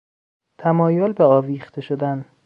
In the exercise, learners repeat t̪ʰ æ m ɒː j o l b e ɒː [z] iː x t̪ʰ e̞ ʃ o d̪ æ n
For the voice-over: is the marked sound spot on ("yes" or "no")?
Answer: no